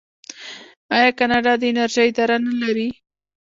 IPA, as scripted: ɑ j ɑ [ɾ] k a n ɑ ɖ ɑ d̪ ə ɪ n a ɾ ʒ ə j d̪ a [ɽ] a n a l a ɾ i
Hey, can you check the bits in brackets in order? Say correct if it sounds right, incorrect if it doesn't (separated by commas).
incorrect, incorrect